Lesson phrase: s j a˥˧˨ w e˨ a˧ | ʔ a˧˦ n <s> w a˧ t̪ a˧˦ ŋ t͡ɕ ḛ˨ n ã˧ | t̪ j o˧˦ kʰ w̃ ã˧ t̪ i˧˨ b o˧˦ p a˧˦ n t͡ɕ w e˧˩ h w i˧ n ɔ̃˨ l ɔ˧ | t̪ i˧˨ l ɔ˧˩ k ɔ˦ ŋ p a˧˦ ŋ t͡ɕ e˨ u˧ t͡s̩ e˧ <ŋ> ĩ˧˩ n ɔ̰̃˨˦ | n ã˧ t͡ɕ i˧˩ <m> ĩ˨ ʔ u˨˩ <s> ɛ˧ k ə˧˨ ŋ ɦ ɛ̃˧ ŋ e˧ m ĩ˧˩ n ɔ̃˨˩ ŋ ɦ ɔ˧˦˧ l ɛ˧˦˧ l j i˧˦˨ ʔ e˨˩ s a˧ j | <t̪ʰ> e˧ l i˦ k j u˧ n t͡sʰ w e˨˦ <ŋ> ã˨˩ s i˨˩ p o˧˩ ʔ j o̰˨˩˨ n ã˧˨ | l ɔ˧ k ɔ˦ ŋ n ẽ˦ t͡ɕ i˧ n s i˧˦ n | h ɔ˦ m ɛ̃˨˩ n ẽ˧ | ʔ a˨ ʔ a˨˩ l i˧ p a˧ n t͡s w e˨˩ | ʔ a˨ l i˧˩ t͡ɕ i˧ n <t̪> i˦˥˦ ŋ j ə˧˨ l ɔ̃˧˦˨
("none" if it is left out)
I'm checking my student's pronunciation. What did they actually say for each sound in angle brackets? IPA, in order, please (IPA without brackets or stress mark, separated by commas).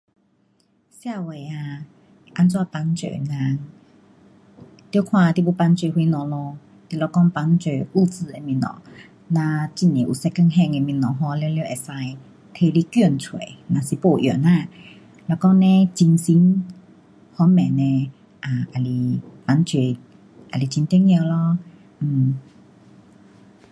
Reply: t͡s, m, n, s, t̪ʰ, n, t̪